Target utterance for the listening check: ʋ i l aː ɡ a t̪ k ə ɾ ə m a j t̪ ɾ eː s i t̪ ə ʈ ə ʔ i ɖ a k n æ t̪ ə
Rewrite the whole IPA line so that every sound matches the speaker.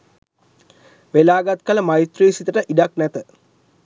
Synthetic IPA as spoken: ʋ e l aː ɡ a t̪ k ə l ə m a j t̪ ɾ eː s i t̪ ə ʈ ə ʔ i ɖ a k n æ t̪ ə